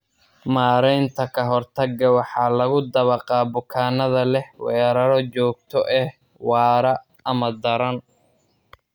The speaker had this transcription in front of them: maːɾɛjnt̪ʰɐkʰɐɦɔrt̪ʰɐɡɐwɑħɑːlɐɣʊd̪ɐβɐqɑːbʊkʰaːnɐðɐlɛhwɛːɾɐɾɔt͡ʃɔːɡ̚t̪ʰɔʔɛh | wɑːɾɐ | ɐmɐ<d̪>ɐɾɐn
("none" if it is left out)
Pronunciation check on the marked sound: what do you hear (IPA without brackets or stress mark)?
d̪